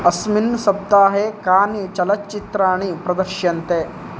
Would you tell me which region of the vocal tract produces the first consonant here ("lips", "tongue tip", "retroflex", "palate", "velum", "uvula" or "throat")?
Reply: tongue tip